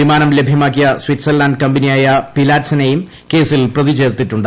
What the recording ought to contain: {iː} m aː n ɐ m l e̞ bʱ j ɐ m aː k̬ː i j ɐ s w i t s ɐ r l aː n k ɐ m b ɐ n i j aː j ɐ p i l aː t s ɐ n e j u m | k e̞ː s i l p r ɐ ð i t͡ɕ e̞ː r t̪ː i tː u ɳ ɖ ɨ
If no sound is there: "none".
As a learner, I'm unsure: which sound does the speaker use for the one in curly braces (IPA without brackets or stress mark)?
i